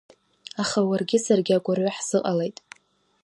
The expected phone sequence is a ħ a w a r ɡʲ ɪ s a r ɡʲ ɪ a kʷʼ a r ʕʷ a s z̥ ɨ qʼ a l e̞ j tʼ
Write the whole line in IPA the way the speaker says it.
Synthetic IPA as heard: a χ a w a r ɡʲ ɪ s a r ɡʲ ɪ a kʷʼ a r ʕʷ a ħ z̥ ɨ qʼ a l e̞ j tʼ